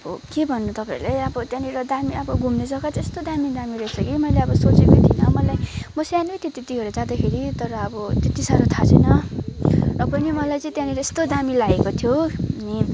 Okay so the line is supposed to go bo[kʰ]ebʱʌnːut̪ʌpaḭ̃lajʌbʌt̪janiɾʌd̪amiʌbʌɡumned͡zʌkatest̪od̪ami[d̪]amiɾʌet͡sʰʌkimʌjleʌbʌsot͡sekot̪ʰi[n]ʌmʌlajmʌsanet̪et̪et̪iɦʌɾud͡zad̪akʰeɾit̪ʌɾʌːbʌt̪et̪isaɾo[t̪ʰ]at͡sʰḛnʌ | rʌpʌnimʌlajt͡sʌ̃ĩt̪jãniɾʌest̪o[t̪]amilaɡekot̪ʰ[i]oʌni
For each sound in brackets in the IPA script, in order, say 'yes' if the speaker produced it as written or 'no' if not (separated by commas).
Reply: no, yes, yes, yes, no, no